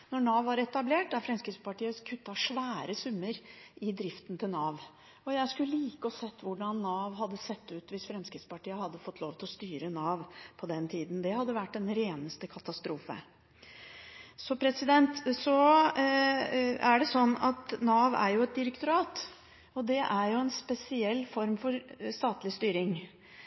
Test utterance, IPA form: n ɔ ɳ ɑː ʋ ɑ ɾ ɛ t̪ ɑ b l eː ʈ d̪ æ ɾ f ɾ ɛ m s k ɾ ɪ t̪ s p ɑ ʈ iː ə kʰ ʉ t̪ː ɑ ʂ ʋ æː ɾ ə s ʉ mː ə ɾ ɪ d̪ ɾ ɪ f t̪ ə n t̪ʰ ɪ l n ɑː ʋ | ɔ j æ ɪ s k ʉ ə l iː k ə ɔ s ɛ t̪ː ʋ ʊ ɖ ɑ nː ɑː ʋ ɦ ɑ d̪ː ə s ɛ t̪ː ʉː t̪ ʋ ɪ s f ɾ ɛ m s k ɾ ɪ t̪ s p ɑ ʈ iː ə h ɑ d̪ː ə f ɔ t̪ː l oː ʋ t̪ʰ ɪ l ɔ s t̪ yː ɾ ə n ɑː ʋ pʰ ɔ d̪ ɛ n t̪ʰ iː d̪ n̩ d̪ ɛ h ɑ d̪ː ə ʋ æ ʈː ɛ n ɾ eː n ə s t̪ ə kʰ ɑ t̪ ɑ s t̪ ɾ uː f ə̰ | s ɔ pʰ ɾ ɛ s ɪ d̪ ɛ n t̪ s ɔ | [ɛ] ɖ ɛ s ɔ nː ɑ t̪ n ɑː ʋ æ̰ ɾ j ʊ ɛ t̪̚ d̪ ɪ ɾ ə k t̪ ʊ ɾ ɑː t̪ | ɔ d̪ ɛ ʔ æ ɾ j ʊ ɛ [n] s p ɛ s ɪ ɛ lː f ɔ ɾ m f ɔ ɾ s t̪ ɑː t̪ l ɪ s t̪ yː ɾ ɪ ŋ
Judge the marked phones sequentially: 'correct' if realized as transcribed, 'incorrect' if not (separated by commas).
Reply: incorrect, correct